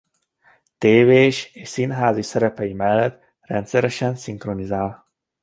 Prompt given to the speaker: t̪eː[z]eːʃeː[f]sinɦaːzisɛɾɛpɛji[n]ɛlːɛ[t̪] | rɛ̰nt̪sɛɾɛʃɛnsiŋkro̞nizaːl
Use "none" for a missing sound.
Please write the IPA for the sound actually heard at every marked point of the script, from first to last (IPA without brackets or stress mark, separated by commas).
v, ʃ, m, t̪